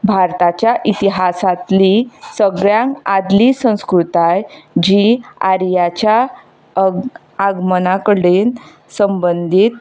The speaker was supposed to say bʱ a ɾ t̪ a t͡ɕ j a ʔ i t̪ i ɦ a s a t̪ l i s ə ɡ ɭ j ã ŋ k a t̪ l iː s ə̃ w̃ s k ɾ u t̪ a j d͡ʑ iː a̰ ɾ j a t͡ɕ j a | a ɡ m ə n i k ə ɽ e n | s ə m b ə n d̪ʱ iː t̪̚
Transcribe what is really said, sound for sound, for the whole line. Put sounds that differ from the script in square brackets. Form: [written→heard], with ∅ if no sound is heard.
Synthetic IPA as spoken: bʱ a ɾ t̪ a t͡ɕ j a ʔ i t̪ i ɦ a s a t̪ l i s ə ɡ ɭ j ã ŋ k a [t̪→d̪] l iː s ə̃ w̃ s k ɾ u t̪ a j d͡ʑ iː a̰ ɾ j a t͡ɕ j a | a ɡ m ə n [i→a] k ə ɽ e n | s ə m b ə n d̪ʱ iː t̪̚